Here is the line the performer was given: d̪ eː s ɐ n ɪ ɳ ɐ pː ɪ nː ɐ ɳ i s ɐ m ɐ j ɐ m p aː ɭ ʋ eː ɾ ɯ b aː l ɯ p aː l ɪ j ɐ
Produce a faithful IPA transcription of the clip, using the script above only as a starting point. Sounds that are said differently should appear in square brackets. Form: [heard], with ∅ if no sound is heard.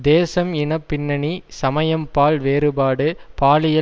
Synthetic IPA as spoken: d̪ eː s ɐ [m] ɪ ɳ ɐ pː ɪ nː ɐ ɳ i s ɐ m ɐ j ɐ m p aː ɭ ʋ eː ɾ ɯ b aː [ɽ] ɯ p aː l ɪ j ɐ